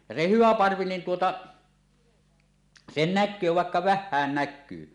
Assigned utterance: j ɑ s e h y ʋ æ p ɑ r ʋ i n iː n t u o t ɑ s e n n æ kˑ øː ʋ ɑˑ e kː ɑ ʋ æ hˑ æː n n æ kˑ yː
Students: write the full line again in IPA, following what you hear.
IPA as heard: j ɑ s e h y ʋ æ p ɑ r ʋ i n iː n t u o t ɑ s e n n æ kˑ øː ʋ ɑˑ e kː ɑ ʋ æ hˑ æː n n æ kˑ yː